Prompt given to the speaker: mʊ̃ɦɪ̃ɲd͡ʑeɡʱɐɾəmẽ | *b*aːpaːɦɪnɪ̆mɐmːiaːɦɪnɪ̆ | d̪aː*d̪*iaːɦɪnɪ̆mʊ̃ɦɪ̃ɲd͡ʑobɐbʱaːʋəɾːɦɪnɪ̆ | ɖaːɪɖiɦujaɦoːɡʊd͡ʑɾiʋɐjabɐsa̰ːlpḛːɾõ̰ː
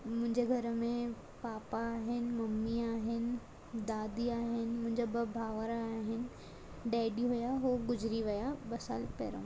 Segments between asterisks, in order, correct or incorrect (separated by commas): incorrect, correct